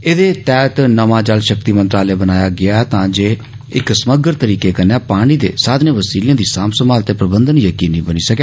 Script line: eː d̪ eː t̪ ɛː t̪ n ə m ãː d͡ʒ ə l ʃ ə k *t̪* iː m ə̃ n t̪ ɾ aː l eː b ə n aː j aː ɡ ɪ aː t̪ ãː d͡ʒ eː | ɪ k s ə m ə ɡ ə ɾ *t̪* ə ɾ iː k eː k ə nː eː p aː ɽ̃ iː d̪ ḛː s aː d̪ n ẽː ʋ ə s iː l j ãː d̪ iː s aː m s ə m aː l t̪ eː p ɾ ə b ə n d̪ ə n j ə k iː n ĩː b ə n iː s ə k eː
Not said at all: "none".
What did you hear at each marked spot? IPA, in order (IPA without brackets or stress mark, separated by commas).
t̪, t̪